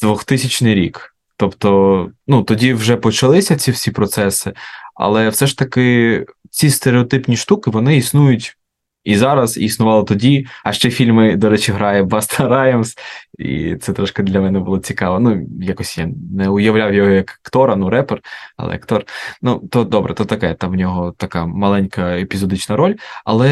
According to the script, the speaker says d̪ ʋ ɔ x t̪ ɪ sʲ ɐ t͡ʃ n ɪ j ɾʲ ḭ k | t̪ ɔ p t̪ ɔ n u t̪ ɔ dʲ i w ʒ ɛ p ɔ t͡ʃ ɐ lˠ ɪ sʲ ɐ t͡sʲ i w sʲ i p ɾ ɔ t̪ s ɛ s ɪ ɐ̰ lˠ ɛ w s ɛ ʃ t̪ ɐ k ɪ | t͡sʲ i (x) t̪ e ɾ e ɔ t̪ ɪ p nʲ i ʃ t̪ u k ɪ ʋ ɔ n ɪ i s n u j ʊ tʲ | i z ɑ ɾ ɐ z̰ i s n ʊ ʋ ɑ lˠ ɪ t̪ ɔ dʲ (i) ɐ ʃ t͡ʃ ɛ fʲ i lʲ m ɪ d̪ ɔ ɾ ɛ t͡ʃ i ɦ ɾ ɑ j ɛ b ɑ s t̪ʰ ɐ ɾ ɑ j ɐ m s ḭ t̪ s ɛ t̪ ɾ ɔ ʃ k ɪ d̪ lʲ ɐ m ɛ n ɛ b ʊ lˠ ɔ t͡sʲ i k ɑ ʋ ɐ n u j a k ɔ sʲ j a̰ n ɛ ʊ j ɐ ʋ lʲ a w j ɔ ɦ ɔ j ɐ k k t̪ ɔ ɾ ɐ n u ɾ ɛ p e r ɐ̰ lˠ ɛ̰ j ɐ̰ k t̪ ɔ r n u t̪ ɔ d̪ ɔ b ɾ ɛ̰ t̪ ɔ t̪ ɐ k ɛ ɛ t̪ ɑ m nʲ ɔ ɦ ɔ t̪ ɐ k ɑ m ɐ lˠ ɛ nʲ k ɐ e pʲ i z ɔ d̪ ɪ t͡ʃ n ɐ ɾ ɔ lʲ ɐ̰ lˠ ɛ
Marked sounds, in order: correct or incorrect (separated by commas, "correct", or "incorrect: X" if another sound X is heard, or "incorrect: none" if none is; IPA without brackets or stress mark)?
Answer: incorrect: s, correct